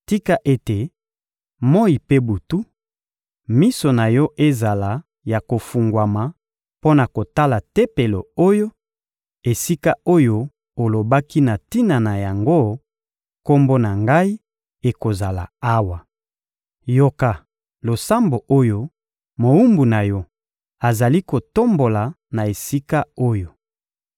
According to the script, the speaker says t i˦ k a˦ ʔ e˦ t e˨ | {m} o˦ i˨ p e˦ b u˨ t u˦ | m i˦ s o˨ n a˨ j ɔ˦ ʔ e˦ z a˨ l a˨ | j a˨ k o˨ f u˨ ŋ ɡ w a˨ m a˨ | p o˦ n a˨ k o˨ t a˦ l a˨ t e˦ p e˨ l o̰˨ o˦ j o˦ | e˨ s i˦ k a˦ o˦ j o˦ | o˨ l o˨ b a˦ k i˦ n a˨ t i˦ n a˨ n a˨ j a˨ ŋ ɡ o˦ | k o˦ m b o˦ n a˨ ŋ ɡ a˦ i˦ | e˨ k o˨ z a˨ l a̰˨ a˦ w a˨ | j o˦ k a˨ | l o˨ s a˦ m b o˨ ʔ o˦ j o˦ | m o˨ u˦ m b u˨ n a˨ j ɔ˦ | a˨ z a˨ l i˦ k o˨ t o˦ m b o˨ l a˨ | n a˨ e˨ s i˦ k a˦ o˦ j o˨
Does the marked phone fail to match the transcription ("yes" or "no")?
no